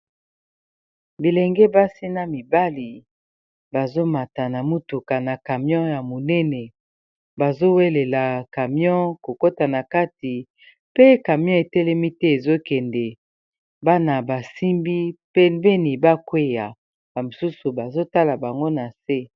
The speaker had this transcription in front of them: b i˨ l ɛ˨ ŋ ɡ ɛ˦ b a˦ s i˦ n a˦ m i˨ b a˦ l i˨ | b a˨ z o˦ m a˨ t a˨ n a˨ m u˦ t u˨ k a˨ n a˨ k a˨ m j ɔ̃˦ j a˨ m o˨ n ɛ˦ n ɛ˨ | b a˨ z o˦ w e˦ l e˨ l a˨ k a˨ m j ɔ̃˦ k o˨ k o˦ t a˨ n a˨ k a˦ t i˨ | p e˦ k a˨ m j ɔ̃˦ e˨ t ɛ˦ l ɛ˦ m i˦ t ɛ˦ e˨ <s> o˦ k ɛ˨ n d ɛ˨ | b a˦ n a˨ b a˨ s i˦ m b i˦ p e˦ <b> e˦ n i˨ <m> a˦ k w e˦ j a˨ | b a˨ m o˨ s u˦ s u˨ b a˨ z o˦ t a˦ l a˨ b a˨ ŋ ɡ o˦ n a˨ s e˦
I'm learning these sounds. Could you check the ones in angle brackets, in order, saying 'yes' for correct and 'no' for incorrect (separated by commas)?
no, yes, no